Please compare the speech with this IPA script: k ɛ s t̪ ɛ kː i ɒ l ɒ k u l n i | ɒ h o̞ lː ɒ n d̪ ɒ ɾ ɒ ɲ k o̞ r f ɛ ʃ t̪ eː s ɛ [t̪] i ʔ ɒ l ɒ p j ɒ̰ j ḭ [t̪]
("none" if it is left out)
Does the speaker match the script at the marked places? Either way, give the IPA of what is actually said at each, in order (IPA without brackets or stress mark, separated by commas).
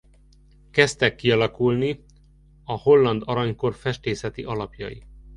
t̪, none